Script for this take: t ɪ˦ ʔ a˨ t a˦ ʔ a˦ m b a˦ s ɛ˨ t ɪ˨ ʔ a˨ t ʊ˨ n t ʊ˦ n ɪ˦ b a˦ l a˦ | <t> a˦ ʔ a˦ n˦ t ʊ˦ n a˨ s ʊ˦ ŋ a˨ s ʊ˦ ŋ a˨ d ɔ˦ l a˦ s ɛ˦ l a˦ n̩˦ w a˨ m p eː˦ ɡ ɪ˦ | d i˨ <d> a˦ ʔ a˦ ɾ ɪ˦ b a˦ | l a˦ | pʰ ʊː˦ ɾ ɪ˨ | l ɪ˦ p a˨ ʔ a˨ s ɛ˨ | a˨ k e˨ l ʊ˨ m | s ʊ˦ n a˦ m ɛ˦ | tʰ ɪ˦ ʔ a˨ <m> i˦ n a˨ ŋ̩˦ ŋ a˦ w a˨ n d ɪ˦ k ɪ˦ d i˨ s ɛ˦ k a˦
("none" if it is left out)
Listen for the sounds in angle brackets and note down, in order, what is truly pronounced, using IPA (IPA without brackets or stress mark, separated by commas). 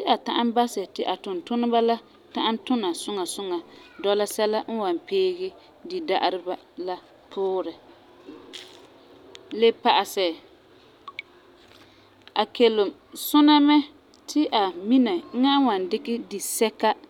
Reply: t, d, m